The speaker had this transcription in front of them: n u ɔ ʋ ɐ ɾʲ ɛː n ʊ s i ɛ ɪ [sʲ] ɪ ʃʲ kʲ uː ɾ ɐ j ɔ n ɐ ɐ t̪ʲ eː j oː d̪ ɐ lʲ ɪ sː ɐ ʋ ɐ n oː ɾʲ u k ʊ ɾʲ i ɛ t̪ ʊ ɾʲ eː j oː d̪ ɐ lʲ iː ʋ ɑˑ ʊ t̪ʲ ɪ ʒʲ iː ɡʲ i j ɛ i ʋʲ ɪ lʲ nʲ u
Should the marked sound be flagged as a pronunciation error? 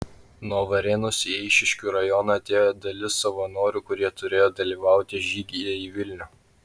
yes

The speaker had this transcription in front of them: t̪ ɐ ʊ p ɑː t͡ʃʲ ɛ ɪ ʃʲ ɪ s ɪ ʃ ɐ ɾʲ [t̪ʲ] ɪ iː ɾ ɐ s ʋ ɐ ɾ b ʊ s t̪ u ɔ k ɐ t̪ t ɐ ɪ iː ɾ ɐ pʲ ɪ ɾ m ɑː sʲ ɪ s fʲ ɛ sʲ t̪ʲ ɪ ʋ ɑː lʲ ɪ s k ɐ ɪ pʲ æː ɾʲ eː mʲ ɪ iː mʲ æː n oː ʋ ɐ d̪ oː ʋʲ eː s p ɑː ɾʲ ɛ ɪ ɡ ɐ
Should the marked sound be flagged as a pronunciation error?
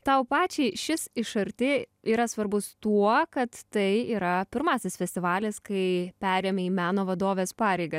no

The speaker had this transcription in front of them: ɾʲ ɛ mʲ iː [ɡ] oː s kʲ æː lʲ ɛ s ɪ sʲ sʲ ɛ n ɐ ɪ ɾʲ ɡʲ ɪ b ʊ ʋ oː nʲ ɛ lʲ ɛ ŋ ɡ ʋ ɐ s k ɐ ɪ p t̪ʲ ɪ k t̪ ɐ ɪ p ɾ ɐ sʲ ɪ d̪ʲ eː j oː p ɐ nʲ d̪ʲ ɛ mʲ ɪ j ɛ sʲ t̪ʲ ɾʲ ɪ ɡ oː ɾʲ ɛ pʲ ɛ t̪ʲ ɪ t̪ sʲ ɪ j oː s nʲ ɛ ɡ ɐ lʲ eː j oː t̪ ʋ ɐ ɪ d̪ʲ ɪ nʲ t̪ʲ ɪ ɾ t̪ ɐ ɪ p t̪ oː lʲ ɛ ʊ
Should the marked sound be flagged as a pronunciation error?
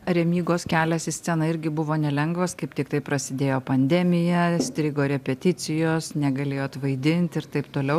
no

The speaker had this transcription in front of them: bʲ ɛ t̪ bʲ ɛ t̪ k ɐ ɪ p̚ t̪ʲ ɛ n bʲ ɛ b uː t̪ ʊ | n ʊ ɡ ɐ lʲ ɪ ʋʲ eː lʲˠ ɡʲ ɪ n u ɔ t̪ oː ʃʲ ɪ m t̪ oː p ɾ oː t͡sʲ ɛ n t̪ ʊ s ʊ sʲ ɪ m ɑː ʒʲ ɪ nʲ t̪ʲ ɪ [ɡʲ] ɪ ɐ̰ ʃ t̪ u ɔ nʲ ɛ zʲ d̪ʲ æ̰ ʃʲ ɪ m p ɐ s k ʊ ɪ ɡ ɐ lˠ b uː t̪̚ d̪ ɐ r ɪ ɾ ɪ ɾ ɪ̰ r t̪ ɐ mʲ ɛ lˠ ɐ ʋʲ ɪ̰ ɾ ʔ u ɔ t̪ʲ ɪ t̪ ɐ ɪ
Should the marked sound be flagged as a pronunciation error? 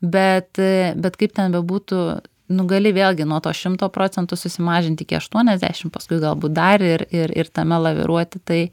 yes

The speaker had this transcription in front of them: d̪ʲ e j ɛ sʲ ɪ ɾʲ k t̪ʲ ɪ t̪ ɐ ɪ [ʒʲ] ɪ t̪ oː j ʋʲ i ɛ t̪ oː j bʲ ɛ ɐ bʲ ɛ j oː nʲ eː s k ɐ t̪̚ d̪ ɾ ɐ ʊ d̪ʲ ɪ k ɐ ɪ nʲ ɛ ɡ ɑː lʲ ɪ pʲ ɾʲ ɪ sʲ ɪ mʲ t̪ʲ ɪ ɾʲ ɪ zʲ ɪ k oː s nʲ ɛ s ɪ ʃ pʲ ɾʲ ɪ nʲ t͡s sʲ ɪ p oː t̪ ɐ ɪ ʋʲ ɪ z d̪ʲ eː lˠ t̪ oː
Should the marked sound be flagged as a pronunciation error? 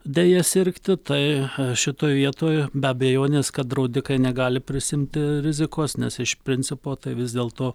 yes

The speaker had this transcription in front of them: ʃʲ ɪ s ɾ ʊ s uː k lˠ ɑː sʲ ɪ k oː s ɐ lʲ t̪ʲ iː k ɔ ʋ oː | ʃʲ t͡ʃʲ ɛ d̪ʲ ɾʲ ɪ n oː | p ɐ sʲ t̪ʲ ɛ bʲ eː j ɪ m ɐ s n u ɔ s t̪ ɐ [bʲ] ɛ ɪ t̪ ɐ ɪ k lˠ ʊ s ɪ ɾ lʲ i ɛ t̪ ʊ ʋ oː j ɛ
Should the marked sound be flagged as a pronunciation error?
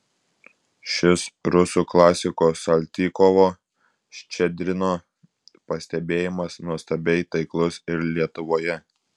no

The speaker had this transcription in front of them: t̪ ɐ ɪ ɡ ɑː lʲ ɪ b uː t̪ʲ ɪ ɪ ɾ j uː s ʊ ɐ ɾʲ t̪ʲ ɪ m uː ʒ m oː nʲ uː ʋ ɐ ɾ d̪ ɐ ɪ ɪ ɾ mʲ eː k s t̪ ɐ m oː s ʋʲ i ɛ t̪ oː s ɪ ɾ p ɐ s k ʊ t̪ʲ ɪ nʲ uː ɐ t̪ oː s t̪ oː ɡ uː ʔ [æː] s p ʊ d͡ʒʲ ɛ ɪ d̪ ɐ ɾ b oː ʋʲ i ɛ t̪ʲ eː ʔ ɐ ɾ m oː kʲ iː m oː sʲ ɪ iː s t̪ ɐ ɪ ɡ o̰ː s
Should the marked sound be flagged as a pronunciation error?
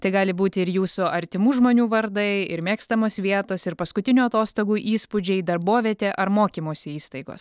yes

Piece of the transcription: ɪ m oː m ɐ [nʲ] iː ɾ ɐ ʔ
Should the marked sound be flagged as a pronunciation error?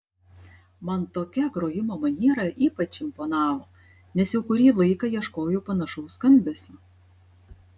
no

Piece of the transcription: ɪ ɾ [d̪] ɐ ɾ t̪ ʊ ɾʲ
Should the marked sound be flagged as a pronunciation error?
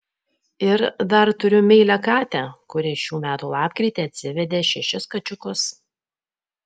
no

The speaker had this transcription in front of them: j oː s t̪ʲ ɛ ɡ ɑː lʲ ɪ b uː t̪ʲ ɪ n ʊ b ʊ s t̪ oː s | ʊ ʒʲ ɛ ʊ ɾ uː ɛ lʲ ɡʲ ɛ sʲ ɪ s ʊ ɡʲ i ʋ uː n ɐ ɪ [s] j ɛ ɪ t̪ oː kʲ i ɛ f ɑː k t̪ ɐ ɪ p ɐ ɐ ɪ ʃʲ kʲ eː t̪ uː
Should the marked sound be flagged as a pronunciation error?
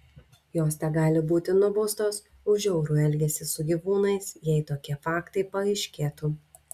no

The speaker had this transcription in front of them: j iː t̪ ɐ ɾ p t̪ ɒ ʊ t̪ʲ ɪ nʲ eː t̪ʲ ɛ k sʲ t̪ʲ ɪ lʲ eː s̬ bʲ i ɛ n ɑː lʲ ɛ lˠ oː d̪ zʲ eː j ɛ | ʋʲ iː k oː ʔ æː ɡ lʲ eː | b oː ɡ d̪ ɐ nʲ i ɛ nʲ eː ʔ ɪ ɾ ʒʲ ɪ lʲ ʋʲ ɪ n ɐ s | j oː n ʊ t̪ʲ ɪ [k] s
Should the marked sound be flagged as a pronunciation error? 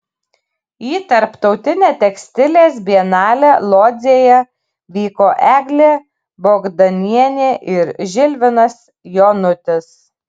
yes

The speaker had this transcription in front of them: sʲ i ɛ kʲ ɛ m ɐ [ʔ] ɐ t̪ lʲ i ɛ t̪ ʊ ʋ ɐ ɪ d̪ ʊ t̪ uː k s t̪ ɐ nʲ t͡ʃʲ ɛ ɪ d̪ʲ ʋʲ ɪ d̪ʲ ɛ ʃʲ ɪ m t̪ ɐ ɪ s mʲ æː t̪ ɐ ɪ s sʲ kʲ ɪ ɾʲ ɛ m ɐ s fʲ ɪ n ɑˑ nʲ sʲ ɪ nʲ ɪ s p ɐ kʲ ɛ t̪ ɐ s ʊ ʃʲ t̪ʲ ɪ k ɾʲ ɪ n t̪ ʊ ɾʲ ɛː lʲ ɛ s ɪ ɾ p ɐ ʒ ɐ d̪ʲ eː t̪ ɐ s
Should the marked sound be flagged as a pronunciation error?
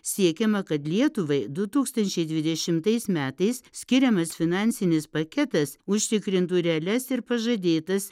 yes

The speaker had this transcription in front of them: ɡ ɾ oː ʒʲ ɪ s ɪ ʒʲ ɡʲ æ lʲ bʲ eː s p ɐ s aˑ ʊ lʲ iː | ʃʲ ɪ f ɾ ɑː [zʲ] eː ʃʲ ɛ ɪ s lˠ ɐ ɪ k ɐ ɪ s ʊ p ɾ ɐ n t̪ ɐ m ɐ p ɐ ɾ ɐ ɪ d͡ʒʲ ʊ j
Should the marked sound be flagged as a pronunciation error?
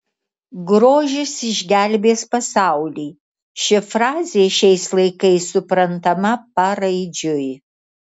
no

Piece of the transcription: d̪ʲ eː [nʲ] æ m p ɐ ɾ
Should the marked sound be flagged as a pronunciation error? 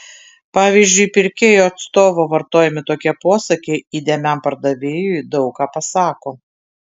yes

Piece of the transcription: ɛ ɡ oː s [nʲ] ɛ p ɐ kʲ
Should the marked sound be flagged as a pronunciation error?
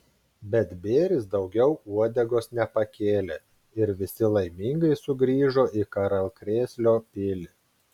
no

